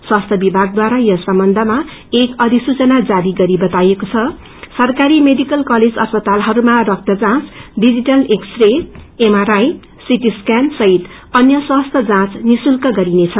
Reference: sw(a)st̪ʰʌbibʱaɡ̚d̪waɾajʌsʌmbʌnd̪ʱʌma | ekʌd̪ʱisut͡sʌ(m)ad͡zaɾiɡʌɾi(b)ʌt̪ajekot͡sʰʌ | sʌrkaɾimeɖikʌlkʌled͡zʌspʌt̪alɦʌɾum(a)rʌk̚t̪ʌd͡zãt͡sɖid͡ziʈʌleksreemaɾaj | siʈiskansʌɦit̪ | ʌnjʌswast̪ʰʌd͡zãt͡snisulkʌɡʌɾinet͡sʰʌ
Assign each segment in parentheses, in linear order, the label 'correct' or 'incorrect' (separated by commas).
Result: correct, incorrect, correct, correct